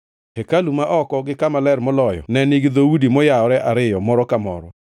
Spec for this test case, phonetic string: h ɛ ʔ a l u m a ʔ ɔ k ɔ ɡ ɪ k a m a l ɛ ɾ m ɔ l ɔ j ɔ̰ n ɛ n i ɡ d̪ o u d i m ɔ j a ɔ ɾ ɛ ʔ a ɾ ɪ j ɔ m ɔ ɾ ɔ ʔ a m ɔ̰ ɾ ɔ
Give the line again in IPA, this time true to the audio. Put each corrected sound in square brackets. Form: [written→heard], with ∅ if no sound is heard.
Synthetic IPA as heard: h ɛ [ʔ→k] a l u m a ʔ ɔ k ɔ ɡ ɪ k a m a l ɛ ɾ m ɔ l ɔ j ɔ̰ n ɛ n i ɡ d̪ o u d i m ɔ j a ɔ ɾ ɛ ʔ a ɾ ɪ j ɔ m ɔ ɾ ɔ [ʔ→k] a m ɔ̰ ɾ ɔ